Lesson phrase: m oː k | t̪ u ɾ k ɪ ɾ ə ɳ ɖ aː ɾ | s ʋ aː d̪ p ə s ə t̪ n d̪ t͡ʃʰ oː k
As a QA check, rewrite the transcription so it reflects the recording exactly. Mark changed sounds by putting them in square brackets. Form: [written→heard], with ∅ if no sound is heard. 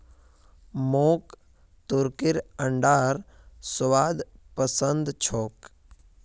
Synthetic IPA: m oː k | t̪ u ɾ k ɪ ɾ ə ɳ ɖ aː ɾ | s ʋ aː d̪ p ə s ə [t̪→∅] n d̪ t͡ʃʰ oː k